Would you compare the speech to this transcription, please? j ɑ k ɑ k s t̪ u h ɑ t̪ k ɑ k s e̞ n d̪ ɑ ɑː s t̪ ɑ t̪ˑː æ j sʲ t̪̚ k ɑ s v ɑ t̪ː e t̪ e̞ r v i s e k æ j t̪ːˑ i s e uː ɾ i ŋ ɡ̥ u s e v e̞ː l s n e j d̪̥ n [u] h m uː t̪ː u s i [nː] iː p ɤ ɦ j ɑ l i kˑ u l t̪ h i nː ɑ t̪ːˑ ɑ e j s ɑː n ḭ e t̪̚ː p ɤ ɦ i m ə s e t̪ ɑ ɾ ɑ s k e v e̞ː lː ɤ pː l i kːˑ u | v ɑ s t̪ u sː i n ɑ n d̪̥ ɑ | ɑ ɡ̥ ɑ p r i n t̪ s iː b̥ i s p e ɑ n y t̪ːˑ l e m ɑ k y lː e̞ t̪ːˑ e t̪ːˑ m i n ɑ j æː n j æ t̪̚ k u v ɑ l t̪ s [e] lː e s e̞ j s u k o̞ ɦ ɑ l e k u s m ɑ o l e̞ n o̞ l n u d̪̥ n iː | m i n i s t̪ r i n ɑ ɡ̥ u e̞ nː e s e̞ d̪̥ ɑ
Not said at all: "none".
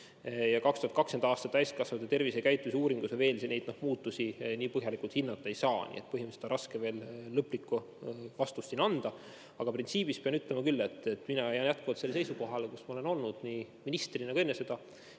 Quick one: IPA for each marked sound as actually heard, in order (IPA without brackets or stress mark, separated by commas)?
o, n, e